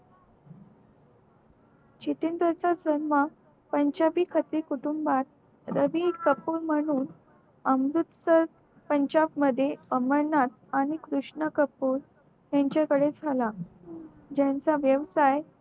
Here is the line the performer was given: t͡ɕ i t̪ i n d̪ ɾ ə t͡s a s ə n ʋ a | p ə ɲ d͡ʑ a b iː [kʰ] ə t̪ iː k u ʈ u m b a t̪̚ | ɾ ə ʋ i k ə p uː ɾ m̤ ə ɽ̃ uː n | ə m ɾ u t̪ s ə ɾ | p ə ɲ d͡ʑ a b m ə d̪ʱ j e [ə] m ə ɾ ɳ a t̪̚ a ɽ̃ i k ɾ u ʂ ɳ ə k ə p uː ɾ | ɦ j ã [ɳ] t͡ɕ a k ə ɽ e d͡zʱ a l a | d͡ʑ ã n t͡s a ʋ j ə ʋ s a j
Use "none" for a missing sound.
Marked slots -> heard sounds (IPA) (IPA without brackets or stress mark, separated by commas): kʰ, ə, ɲ